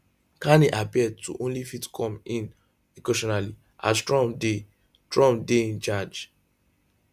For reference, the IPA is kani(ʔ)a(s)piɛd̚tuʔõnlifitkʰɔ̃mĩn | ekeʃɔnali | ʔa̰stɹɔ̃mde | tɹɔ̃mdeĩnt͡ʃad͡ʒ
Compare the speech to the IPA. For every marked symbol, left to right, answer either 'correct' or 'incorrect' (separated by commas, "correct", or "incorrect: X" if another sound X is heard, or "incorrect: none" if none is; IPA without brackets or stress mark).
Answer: correct, incorrect: none